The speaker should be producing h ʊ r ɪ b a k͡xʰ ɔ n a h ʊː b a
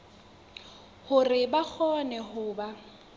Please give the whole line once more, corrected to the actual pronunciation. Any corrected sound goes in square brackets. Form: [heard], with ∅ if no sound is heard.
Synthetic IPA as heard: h ʊ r ɪ b a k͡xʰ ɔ n [ɛ] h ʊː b a